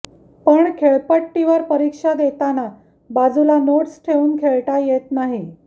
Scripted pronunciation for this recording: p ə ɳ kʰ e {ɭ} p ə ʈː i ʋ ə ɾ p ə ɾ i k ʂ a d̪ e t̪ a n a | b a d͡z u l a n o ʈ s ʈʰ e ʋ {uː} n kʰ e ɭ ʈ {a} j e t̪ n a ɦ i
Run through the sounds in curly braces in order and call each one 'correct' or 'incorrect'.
correct, correct, correct

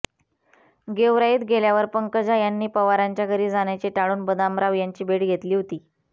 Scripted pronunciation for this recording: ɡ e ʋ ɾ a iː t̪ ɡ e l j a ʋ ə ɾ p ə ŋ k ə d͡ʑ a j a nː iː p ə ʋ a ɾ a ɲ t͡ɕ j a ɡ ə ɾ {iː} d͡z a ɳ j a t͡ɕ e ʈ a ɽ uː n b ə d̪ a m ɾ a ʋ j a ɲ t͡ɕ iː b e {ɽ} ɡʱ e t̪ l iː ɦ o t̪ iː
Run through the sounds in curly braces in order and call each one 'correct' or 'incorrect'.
correct, correct

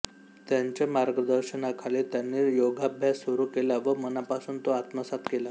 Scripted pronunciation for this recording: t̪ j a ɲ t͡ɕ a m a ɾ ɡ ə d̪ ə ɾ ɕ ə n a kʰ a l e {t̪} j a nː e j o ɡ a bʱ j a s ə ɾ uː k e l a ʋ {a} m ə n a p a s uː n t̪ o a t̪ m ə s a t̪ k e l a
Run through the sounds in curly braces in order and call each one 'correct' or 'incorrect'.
correct, incorrect: ə

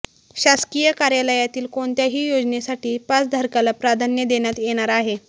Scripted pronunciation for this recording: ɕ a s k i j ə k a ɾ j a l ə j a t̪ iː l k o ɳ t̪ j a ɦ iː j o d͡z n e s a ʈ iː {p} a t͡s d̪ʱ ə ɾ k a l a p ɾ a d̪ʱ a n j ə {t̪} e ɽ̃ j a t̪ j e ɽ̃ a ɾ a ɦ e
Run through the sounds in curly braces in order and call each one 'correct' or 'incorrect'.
correct, incorrect: d̪

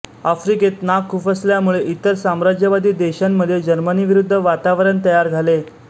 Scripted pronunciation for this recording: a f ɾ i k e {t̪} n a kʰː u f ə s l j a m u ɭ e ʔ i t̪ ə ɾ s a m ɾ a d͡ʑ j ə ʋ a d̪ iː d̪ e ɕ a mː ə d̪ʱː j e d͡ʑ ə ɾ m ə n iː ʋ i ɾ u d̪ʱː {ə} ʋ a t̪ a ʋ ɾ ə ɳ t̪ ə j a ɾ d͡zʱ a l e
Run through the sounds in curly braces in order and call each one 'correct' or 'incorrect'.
correct, correct

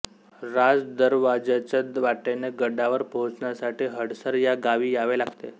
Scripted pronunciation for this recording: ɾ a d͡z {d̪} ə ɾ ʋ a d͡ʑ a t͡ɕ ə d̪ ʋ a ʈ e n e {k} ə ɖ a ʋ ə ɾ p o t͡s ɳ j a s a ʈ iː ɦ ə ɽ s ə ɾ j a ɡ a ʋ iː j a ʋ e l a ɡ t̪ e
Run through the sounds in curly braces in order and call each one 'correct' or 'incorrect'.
correct, incorrect: ɡ

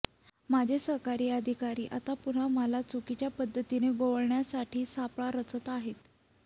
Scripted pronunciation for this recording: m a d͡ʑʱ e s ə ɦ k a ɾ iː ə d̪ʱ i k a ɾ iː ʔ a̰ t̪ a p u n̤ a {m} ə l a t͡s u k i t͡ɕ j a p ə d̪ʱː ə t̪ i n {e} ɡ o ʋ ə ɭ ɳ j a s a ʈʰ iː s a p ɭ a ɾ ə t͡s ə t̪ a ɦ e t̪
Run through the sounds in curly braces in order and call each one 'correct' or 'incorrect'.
correct, correct

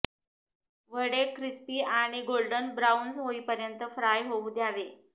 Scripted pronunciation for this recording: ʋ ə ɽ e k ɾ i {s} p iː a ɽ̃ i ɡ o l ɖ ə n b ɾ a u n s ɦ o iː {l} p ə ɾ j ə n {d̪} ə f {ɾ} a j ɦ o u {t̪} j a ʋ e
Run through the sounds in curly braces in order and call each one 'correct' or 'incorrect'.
correct, incorrect: none, incorrect: t̪, correct, incorrect: d̪

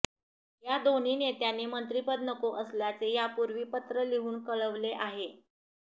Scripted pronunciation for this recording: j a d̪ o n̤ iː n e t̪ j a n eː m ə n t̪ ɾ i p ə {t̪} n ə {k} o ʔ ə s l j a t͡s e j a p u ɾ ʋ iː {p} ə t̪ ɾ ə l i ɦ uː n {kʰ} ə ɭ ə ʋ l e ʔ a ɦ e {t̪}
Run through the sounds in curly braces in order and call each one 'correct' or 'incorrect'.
incorrect: d̪, correct, correct, incorrect: k, incorrect: none

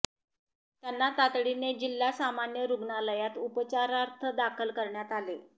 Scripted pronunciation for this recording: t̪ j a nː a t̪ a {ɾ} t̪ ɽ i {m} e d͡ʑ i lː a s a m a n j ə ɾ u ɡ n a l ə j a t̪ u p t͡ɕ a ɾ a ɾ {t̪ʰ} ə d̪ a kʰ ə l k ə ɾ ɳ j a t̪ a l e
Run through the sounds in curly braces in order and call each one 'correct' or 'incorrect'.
incorrect: none, incorrect: n, correct

